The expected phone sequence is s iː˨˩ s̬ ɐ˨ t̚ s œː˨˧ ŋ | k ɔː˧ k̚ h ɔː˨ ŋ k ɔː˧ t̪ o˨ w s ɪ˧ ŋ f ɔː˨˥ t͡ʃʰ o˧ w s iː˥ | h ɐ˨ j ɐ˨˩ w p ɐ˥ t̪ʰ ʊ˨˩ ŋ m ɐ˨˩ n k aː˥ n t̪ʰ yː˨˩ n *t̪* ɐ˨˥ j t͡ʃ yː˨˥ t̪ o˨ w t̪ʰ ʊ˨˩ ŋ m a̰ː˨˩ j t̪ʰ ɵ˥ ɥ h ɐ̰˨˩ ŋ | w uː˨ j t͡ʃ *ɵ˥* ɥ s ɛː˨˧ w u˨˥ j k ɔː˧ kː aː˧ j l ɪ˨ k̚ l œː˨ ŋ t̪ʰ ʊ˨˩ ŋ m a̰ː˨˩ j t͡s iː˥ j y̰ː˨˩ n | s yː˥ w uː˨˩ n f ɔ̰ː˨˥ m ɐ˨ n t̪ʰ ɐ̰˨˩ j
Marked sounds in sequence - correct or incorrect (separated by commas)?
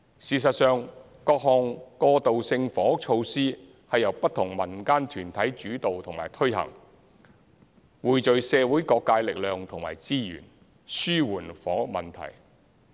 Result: incorrect, incorrect